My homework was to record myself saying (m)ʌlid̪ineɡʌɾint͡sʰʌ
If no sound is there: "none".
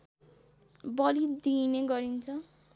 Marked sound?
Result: b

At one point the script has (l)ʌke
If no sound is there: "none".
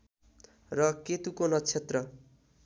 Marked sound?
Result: r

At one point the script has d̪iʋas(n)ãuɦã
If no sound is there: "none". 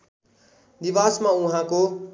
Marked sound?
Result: m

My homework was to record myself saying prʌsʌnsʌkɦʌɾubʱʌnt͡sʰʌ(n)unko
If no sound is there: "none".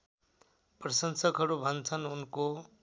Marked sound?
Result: n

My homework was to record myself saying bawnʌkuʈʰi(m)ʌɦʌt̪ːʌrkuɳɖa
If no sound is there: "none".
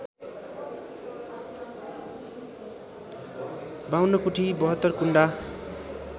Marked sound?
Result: b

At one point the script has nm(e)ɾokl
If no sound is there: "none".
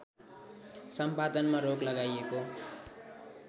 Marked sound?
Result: a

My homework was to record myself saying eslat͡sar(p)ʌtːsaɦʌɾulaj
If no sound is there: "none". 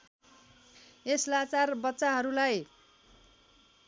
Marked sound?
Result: b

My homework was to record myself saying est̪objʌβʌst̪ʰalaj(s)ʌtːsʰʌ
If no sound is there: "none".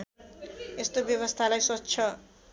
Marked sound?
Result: s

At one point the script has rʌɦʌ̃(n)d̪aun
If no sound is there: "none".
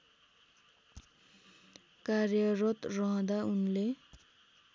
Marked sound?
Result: none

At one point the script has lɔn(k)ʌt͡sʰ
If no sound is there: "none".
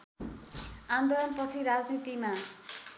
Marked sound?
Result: p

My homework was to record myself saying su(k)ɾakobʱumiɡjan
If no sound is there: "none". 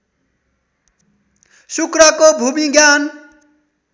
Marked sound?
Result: k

